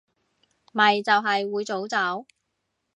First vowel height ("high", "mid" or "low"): low